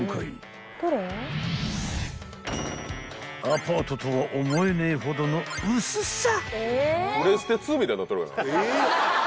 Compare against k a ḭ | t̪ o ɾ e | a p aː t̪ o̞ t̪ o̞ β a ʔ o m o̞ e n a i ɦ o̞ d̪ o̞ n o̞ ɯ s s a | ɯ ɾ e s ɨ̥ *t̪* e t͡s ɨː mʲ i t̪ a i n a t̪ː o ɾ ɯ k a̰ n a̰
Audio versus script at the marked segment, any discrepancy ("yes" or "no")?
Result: no